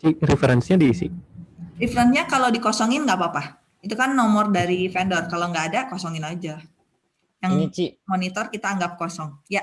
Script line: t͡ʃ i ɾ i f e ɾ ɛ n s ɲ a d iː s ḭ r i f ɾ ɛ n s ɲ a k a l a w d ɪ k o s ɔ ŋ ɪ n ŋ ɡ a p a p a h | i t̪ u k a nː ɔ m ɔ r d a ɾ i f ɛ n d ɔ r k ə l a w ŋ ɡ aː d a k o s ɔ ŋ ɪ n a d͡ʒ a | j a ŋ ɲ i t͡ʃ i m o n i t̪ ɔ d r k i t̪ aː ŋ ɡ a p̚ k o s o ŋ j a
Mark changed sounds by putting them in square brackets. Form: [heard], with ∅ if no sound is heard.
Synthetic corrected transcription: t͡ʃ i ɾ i f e ɾ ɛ n s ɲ a d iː s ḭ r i f ɾ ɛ n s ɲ a k a l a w d [i] k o s ɔ ŋ ɪ n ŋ ɡ a p a p a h | i t̪ u k a nː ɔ m ɔ r d a ɾ i f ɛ n d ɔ r k [a] l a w ŋ ɡ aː d a k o s ɔ ŋ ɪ n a d͡ʒ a | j a ŋ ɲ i t͡ʃ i m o n i t̪ ɔ [∅] r k i t̪ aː ŋ ɡ a p̚ k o s [ɔ] ŋ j a